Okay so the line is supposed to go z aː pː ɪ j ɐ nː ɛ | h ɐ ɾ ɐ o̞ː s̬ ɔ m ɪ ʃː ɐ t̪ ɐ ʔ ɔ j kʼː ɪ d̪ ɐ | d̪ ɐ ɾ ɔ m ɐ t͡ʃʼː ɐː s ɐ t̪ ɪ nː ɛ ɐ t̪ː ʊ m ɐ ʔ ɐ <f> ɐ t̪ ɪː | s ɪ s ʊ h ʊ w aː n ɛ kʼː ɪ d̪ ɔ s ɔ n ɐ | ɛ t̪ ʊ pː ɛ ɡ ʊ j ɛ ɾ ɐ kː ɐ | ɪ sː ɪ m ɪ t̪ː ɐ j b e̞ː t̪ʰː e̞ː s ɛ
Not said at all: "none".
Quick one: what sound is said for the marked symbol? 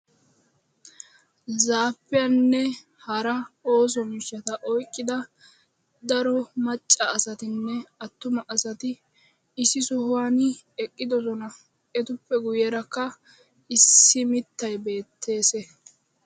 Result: s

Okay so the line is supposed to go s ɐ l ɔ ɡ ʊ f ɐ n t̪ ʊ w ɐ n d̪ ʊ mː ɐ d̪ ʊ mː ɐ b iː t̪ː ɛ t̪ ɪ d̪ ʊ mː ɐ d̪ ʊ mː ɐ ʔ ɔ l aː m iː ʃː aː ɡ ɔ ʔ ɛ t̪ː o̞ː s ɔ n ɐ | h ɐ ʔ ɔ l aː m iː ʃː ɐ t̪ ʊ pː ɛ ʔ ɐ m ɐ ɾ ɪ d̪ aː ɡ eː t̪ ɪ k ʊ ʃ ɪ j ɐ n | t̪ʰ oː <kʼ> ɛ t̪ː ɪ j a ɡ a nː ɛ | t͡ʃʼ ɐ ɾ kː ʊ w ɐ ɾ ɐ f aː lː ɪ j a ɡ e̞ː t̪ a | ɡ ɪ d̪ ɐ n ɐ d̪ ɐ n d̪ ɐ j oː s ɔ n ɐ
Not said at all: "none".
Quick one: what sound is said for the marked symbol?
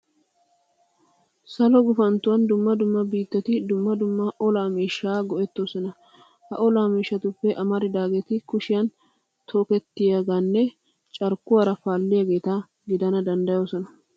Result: k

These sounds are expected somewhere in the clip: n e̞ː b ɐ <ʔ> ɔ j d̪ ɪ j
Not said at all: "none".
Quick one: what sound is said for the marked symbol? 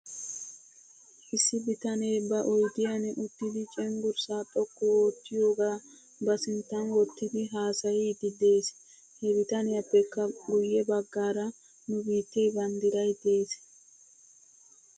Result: ʔ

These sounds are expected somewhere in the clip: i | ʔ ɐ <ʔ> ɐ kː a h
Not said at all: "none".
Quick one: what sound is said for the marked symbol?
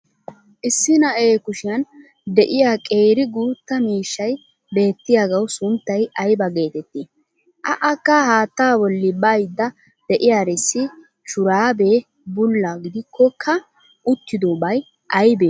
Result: ʔ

